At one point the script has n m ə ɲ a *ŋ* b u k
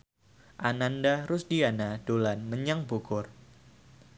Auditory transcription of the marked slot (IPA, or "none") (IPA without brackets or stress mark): ŋ